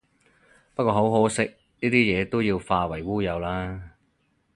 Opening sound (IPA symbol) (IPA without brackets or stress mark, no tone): p